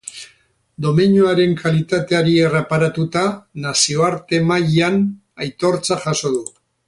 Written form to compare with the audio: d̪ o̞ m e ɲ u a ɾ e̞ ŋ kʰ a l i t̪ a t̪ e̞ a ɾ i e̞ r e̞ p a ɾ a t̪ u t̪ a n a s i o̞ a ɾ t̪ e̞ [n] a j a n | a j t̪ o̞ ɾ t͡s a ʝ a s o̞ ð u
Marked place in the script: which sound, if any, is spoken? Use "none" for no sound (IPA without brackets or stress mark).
m